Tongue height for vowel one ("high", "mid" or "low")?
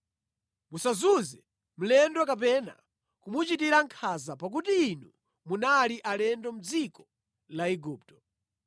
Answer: high